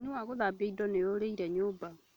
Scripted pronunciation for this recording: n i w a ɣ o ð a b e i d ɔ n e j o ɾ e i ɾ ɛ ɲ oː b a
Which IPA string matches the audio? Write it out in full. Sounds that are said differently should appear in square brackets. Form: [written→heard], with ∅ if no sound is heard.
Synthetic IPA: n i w a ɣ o ð a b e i d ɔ n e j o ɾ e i ɾ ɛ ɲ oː b a